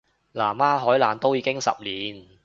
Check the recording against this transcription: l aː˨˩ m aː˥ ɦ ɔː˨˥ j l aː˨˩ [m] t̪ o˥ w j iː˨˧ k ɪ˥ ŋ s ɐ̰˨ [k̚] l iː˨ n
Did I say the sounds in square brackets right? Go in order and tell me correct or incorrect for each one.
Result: incorrect: n, incorrect: p̚

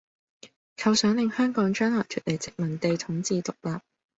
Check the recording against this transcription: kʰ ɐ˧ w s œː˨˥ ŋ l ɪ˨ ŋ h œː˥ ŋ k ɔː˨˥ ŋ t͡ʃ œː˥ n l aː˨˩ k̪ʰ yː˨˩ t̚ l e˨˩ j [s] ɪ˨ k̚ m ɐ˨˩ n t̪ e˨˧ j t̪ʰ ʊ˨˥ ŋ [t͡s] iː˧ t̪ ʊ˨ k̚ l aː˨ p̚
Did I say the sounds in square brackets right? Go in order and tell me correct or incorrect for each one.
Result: incorrect: t͡s, correct

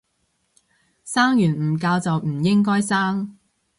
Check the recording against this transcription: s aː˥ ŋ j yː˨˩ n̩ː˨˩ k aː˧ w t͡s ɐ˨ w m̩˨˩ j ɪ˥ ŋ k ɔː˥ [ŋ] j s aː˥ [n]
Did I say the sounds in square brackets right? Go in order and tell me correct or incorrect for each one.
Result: incorrect: none, incorrect: ŋ

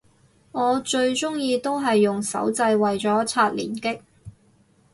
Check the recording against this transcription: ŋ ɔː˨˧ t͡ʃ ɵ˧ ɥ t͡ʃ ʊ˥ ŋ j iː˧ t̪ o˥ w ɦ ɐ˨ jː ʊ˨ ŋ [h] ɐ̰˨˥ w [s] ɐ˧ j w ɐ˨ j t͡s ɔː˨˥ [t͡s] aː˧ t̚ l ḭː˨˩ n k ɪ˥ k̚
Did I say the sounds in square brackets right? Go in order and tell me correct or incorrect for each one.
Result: incorrect: s, incorrect: t͡s, incorrect: t͡sʰ

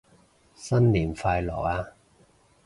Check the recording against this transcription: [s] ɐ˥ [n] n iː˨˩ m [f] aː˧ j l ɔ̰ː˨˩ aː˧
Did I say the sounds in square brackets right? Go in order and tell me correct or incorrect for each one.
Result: correct, correct, correct

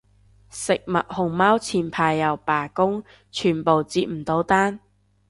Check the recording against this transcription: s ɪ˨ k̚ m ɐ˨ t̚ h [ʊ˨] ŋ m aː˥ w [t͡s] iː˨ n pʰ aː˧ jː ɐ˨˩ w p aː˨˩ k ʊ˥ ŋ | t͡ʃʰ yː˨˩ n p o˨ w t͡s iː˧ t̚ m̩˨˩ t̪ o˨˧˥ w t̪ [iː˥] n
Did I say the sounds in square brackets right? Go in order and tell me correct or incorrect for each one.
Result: correct, incorrect: t͡sʰ, incorrect: aː˥

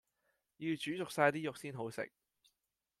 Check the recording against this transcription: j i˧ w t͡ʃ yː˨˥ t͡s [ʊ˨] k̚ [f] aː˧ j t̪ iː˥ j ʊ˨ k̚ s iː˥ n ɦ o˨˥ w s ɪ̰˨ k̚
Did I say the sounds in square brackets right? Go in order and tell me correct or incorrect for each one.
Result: correct, incorrect: s

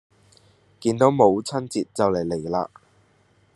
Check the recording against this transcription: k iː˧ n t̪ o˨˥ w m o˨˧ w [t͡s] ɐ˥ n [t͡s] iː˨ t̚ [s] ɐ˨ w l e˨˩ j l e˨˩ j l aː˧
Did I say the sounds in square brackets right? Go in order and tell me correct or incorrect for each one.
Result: incorrect: t͡sʰ, correct, incorrect: t͡s

